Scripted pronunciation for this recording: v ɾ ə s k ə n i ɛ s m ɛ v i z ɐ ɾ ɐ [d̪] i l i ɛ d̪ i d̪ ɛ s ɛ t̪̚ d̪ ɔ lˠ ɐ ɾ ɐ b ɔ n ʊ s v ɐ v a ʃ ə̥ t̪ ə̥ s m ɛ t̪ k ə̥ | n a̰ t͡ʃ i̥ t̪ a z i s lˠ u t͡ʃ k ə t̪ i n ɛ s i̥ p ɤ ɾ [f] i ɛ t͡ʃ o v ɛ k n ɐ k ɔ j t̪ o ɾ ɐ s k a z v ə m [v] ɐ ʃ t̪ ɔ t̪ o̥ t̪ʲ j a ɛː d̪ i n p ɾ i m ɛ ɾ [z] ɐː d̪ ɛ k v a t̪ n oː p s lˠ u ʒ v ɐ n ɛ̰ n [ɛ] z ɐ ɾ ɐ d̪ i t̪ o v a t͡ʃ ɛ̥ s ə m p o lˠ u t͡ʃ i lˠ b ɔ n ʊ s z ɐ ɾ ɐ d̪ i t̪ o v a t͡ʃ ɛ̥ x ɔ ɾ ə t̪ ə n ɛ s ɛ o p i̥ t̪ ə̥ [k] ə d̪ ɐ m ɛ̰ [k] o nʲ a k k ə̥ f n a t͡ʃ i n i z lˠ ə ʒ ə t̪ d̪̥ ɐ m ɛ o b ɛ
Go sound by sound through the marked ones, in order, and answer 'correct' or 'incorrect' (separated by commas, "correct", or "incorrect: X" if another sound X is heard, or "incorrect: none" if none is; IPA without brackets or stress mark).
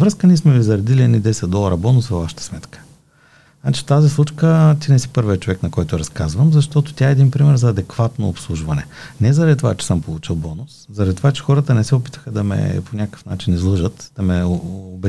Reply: correct, incorrect: v, incorrect: z, correct, correct, incorrect: x, incorrect: p